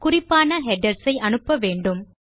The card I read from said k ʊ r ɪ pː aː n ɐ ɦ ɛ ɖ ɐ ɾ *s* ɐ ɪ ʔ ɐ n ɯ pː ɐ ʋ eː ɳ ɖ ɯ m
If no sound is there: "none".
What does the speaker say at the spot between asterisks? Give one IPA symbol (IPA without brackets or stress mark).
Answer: s